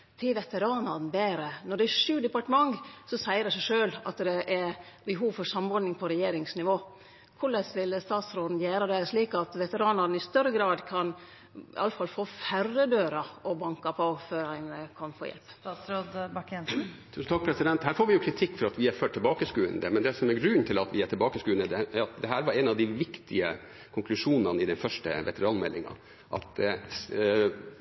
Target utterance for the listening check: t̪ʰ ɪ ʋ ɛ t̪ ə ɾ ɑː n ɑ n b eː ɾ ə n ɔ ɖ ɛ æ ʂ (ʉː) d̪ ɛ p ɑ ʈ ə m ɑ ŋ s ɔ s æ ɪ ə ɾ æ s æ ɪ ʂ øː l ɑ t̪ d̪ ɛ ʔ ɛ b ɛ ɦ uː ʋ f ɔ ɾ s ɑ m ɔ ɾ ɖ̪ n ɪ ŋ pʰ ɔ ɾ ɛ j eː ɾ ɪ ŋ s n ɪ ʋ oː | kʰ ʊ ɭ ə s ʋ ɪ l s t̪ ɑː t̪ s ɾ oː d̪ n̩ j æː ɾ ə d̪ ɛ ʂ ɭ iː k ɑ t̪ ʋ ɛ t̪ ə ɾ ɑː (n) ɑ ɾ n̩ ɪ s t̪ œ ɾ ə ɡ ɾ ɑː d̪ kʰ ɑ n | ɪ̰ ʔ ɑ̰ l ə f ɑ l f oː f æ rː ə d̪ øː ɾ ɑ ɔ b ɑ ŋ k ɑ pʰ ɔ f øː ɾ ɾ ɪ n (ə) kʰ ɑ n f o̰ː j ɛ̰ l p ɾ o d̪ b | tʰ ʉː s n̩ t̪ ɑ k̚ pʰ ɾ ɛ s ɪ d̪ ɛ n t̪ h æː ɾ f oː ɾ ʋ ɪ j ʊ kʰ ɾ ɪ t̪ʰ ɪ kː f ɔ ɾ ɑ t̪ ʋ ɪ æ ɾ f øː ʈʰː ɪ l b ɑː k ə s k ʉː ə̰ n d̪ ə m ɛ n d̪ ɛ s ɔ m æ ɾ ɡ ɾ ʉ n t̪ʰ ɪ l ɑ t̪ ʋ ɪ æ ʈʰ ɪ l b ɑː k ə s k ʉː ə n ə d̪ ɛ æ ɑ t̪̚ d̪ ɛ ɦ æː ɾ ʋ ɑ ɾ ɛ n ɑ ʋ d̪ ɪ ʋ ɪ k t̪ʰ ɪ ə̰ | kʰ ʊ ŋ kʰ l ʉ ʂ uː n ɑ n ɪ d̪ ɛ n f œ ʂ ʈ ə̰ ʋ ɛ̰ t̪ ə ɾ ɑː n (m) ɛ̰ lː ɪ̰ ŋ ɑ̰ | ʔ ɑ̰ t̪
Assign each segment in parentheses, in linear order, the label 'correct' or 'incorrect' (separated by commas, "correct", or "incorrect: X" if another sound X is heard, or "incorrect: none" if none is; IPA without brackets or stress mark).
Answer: correct, correct, correct, correct